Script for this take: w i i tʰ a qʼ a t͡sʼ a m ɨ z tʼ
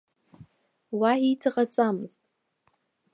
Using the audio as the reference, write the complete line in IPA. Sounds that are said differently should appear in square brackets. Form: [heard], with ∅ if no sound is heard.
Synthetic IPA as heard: w [a] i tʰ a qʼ a t͡sʼ a m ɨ z tʼ